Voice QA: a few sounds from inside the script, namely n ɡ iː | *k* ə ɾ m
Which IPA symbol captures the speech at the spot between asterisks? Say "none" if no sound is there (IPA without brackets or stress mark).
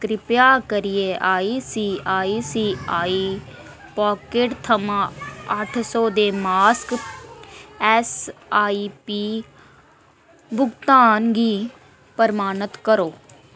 p